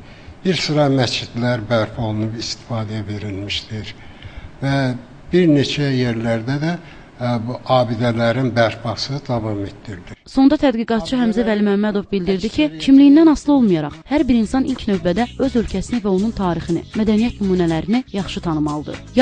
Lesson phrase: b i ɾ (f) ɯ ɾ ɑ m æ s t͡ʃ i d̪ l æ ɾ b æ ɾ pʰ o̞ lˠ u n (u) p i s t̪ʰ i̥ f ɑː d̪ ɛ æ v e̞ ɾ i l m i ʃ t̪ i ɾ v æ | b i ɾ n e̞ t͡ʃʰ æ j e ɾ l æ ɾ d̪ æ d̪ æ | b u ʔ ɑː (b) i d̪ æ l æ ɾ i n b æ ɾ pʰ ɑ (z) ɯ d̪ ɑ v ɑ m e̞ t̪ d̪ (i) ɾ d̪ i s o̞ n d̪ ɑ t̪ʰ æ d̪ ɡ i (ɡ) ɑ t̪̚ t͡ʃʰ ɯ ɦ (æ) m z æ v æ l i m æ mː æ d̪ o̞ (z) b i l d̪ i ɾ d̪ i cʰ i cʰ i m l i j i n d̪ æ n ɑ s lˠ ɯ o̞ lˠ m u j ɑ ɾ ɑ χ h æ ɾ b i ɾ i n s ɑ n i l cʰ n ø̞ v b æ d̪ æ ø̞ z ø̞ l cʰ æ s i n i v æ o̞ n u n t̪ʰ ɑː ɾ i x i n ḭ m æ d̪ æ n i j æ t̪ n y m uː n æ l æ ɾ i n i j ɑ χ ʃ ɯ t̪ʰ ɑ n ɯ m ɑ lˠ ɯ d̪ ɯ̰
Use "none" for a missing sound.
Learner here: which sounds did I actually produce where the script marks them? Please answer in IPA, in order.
s, u, b, s, i, ɡ, æ, v

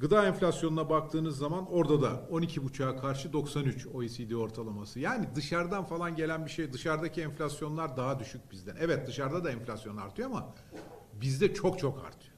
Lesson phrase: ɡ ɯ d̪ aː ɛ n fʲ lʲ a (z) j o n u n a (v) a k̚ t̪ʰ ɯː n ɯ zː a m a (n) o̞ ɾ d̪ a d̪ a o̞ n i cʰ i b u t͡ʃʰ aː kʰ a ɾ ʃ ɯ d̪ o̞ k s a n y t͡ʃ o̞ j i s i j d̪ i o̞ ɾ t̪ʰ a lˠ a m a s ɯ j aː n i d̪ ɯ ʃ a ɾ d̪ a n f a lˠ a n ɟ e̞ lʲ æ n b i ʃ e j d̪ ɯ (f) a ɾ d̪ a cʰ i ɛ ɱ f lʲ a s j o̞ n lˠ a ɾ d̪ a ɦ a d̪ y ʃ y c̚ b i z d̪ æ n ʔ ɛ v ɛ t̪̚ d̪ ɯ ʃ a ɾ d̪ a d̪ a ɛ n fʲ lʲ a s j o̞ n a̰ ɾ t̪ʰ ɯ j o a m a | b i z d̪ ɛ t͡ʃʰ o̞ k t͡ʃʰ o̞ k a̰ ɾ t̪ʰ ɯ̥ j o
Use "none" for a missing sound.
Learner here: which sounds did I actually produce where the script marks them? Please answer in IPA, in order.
s, b, n, ʃ

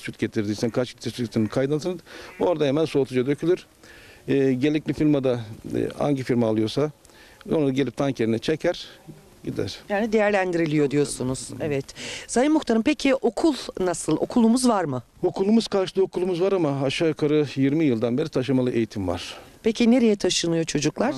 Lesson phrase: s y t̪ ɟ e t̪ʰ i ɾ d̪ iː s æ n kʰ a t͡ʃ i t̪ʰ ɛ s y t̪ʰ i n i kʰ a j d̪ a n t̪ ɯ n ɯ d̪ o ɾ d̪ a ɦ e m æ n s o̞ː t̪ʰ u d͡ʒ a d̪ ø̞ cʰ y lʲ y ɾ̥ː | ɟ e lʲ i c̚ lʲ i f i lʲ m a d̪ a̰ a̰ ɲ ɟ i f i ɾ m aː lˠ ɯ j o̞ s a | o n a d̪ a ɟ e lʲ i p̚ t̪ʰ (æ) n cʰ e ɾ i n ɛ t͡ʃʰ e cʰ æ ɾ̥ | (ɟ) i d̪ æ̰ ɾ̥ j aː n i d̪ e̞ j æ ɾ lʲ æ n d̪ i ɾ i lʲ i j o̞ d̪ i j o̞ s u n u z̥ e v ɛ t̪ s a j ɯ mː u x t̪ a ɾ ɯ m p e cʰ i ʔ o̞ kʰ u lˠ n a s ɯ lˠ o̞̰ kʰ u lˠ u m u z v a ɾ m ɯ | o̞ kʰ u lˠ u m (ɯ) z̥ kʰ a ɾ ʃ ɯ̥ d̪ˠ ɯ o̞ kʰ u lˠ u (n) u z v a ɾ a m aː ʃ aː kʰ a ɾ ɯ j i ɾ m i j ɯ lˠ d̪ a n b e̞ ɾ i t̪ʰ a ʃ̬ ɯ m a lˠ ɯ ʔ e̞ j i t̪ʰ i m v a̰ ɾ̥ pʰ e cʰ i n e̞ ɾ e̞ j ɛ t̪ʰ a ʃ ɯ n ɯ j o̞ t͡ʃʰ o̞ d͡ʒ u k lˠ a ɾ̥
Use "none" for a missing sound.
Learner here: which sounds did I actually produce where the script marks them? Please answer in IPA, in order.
a, ɟ, u, m

